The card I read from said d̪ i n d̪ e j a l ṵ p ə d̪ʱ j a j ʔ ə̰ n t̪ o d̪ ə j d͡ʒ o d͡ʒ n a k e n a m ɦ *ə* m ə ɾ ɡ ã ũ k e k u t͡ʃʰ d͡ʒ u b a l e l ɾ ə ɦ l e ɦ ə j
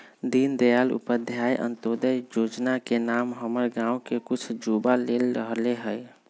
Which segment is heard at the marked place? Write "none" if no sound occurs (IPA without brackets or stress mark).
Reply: ə